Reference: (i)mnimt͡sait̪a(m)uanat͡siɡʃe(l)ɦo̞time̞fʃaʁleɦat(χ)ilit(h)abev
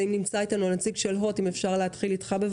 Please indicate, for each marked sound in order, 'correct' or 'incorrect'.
correct, incorrect: n, correct, correct, incorrect: χ

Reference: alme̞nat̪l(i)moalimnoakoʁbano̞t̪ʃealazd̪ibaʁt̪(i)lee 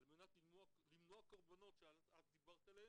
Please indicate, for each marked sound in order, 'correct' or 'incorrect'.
correct, incorrect: a

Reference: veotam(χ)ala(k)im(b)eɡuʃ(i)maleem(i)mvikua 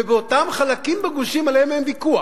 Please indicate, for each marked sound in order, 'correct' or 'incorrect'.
correct, correct, correct, correct, incorrect: e

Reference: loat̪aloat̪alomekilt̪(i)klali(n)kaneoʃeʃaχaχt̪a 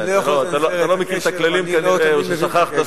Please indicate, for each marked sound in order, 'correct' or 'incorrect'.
incorrect: a, incorrect: m

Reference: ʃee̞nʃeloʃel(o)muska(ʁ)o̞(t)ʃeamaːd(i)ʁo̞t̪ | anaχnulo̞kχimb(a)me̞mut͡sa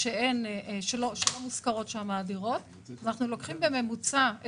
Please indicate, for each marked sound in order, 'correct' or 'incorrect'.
correct, correct, correct, correct, incorrect: e

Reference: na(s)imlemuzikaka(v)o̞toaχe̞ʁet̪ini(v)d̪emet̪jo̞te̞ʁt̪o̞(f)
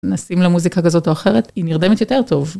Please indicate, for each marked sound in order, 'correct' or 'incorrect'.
correct, incorrect: z, incorrect: ʁ, incorrect: v

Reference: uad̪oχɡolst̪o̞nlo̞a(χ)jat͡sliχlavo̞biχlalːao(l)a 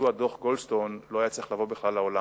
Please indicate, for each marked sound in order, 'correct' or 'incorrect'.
incorrect: none, correct

